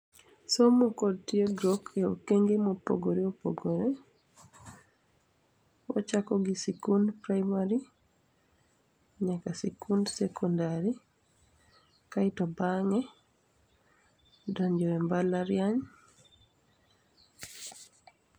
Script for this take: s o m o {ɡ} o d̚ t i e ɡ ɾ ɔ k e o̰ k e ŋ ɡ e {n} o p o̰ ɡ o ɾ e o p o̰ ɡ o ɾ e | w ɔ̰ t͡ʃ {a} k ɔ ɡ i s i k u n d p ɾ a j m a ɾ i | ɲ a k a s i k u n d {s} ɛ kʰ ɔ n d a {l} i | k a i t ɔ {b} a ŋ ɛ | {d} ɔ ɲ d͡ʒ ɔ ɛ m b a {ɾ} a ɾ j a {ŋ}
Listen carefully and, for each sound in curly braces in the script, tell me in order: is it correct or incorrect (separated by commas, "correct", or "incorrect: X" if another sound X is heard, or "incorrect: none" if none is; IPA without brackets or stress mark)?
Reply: incorrect: k, incorrect: m, correct, correct, incorrect: ɾ, correct, correct, incorrect: l, incorrect: ɲ